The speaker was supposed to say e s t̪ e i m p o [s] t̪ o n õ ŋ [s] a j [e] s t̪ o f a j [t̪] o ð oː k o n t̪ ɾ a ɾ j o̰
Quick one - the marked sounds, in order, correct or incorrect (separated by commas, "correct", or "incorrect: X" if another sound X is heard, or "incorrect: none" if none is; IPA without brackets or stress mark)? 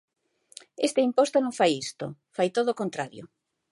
correct, incorrect: f, incorrect: i, correct